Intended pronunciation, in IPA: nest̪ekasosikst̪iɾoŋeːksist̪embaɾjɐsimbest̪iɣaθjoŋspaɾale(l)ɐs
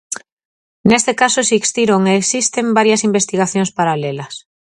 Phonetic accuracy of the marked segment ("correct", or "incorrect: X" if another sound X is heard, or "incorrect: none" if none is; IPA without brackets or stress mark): correct